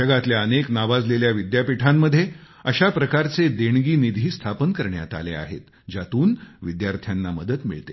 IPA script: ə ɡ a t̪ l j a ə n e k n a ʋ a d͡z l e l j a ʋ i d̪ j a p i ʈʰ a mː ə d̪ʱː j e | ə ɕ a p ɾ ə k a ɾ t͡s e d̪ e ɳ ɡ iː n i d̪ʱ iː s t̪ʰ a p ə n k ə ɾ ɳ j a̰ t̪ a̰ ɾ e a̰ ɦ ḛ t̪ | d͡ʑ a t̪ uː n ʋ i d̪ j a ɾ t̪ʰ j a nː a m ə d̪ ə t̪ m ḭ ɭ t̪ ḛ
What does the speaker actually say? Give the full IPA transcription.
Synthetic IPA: ə ɡ a t̪ l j a ə n e k n a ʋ a d͡z l e l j a ʋ i d̪ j a p i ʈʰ a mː ə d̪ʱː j e | ə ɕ a p ɾ ə k a ɾ t͡s e d̪ e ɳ ɡ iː n i d̪ʱ iː s t̪ʰ a p ə n k ə ɾ ɳ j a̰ t̪ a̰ l e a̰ ɦ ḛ t̪ | d͡ʑ a t̪ uː n ʋ i d̪ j a ɾ t̪ʰ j a nː a m ə d̪ ə t̪ m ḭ ɭ t̪ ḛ